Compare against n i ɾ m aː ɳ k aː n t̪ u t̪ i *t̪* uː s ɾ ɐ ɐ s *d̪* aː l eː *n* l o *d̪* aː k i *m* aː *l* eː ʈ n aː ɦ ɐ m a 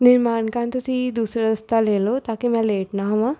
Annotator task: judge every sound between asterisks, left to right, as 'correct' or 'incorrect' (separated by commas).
incorrect, incorrect, incorrect, incorrect, correct, correct